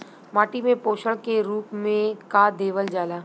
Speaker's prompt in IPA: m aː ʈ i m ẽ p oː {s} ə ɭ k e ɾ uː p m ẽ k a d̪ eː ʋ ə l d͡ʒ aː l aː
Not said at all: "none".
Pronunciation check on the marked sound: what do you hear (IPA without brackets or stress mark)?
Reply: ʃ